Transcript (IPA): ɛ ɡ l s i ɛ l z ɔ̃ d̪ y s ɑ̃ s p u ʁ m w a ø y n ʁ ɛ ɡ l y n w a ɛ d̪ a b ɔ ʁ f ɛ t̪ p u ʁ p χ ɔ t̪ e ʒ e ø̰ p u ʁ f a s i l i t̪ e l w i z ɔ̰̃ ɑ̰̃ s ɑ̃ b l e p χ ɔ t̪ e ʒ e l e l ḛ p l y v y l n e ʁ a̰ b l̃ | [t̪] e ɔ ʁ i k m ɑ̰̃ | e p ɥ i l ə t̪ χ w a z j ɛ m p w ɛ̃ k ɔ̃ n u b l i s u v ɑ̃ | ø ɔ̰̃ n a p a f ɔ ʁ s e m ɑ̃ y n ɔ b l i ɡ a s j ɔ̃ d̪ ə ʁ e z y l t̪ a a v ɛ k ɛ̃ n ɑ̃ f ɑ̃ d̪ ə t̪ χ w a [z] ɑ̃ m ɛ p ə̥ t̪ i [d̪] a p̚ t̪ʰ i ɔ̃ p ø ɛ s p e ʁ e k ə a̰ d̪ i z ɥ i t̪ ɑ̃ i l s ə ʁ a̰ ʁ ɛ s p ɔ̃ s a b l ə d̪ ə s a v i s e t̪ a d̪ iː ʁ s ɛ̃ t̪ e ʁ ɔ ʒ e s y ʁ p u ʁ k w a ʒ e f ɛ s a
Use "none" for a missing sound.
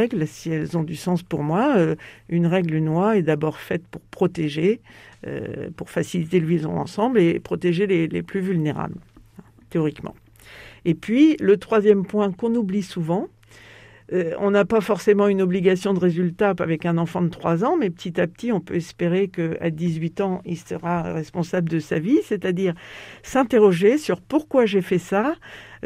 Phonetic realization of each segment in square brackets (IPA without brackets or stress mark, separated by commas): t̪, z, t̪